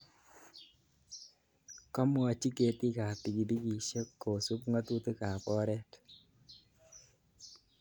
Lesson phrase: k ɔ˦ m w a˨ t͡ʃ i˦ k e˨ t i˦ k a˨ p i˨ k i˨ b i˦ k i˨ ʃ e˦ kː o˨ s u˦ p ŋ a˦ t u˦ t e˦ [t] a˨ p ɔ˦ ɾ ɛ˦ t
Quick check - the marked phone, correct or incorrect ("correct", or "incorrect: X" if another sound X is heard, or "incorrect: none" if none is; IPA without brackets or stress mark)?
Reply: incorrect: k